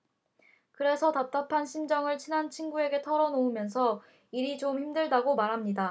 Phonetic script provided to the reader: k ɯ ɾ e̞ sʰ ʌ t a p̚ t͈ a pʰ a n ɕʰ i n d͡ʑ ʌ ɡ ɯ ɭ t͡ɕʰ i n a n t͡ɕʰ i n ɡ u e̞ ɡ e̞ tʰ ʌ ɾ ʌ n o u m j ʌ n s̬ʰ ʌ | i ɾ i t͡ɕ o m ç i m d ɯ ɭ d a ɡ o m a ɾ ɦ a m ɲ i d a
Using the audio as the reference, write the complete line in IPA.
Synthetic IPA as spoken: k ɯ ɾ e̞ sʰ ʌ t a p̚ t͈ a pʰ a n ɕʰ i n d͡ʑ ʌ ŋ ɯ ɭ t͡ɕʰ i n a n t͡ɕʰ i n ɡ u e̞ ɡ e̞ tʰ ʌ ɾ ʌ n o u m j ʌ n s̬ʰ ʌ | i ɾ i t͡ɕ o m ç i m d ɯ ɭ d a ɡ o m a ɾ ɦ a m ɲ i d a

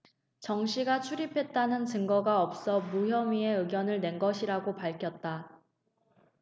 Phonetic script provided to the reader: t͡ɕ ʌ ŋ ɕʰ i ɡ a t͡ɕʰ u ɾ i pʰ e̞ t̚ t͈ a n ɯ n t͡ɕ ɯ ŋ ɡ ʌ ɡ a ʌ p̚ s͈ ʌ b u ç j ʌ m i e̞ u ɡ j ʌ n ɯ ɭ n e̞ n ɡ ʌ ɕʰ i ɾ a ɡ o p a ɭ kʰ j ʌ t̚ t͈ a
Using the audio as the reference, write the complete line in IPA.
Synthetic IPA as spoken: t͡ɕ ʌ ŋ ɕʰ i ɡ a t͡ɕʰ u ɾ i pʰ e̞ t̚ t͈ a n ɯ n t͡ɕ ɯ ŋ ɡ ʌ ɡ a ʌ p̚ s͈ ʌ m u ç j ʌ m i e̞ ɯ ɡ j ʌ n ɯ ɭ n e̞ n ɡ ʌ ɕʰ i ɾ a ɡ o p a ɭ kʰ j ʌ t̚ t͈ a

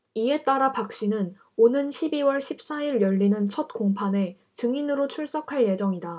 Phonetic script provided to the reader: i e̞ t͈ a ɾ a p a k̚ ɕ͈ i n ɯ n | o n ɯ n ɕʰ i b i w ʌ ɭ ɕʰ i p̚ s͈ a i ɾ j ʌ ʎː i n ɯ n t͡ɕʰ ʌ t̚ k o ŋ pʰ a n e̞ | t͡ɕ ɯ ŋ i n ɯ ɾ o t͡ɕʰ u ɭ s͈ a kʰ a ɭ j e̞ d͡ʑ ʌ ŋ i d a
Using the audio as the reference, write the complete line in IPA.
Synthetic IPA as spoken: i e̞ t͈ a ɾ a p a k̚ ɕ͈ i n ɯ n | o n ɯ n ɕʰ i b i w ʌ ɭ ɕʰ i p̚ s͈ a i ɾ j ʌ ʎː i n ɯ n t͡ɕʰ ʌ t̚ k o ŋ pʰ a n e̞ | t͡ɕ ɯ ŋ i n ɯ ɾ o t͡ɕʰ u ɭ s͈ ʌ kʰ a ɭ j e̞ d͡ʑ ʌ ŋ i d a

